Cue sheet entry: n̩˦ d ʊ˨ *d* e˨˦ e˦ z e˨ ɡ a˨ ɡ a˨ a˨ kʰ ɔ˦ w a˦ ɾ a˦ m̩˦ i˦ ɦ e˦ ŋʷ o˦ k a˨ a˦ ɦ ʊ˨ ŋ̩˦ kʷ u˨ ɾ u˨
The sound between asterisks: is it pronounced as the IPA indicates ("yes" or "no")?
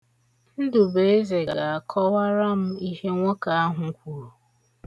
no